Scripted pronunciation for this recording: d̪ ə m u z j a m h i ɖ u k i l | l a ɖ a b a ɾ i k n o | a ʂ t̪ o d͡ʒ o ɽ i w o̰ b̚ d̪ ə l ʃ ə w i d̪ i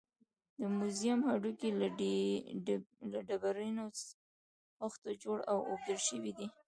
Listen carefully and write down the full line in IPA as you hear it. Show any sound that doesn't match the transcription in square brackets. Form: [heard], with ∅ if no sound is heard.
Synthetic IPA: d̪ ə m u z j a m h [a] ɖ u k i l | l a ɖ a b a ɾ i [∅] n o | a [x] t̪ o d͡ʒ o ɽ [a] w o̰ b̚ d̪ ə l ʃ ə w i d̪ i